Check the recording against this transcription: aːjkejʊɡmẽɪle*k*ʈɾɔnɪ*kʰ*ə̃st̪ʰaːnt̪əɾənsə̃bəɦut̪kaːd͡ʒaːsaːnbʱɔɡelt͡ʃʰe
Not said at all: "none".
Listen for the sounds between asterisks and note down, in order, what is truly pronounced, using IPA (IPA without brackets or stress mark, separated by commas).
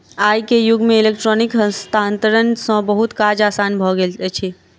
k, k